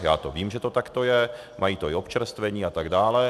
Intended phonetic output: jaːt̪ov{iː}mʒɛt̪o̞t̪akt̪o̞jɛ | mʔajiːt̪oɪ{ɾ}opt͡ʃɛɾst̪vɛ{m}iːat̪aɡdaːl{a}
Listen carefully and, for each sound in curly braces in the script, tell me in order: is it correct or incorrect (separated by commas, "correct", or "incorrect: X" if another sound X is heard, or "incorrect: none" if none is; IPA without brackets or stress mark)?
correct, incorrect: none, incorrect: ɲ, incorrect: ɛ